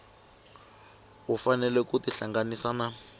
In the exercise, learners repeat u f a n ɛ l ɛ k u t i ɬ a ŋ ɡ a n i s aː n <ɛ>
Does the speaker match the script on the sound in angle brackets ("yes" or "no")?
no